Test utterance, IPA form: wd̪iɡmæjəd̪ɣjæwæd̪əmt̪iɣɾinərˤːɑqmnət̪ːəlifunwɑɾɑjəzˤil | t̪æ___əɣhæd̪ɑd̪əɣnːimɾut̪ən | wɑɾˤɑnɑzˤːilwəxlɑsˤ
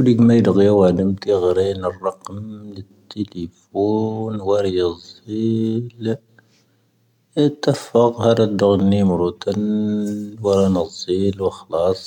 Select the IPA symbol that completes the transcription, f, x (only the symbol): f